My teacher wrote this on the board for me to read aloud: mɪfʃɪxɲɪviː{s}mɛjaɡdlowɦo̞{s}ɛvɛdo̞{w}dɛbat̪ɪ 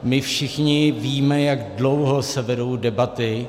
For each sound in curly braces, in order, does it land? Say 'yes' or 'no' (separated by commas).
no, yes, yes